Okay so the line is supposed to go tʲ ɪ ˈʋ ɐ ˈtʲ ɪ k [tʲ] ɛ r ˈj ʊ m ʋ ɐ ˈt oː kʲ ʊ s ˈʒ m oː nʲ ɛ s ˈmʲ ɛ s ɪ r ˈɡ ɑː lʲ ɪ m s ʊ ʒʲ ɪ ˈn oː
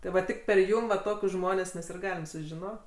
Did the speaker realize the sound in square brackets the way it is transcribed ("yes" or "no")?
no